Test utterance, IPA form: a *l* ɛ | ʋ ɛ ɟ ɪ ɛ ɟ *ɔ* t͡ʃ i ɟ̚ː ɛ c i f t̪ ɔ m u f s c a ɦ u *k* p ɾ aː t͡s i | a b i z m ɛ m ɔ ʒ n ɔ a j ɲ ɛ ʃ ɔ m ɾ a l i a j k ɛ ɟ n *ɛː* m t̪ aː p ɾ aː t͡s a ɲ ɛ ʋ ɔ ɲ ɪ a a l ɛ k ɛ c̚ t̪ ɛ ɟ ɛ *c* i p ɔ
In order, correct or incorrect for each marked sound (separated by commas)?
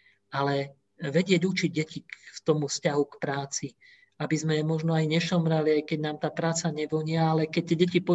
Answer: correct, incorrect, correct, incorrect, correct